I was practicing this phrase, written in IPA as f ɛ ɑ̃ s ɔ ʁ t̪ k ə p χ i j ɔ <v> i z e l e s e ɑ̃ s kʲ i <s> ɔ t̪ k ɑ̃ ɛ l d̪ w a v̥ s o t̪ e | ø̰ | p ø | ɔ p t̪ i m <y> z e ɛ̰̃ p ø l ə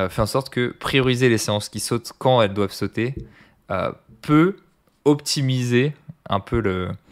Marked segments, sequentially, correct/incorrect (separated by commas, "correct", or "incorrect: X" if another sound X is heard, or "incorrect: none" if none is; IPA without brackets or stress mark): incorrect: ʁ, correct, incorrect: i